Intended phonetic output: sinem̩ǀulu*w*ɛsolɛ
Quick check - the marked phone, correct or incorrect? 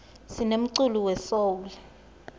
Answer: correct